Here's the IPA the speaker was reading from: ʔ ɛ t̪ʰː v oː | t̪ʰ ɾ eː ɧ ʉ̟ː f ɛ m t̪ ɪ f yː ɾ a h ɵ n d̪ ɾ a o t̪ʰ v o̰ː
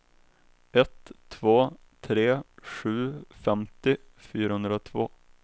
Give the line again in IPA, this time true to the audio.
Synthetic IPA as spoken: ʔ ɛ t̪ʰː v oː | t̪ʰ ɾ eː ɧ ʉ̟ː f ɛ m t̪ ɪ f yː ɾ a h ɵ n d̪ ɾ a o t̪ʰ v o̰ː